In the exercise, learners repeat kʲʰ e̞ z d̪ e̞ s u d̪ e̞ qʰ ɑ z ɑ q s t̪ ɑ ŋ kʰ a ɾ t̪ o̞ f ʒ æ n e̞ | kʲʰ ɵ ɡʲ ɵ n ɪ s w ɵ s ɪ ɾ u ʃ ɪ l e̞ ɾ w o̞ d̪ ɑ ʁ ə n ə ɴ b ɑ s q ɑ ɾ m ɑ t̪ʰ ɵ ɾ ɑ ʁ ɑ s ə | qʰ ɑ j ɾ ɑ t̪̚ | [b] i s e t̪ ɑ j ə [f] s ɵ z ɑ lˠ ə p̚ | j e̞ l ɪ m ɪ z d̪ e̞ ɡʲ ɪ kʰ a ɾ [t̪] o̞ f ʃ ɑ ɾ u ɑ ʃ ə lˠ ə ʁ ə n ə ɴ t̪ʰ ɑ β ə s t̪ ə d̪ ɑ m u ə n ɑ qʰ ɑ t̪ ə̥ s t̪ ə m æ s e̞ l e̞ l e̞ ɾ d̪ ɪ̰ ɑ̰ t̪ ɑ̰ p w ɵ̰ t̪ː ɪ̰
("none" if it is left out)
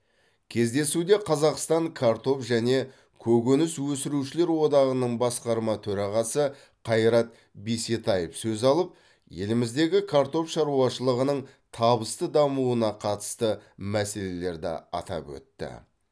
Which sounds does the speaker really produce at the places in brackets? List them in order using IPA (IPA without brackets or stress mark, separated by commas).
b, f, t̪